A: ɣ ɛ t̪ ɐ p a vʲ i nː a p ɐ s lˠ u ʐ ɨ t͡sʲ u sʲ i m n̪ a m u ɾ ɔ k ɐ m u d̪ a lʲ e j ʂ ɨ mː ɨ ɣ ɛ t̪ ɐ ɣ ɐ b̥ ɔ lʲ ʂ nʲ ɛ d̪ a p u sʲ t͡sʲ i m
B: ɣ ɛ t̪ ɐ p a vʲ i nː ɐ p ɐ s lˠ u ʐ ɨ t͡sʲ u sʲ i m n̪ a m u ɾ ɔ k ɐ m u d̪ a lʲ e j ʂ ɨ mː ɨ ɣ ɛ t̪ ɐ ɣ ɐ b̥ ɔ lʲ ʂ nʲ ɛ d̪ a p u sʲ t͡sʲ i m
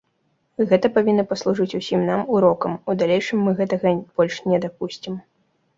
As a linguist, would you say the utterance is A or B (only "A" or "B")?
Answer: B